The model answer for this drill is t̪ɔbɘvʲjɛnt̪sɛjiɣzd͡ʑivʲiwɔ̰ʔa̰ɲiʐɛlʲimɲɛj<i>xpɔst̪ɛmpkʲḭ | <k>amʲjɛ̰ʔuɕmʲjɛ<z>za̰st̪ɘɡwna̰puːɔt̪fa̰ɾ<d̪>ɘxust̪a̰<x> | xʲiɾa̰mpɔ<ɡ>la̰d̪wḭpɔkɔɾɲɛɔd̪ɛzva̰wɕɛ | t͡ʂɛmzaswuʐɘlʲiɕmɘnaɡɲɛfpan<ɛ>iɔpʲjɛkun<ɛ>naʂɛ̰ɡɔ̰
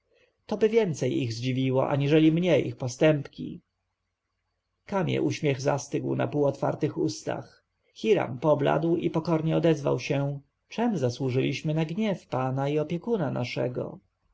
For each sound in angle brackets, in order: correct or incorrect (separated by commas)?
correct, correct, incorrect, incorrect, correct, incorrect, incorrect, incorrect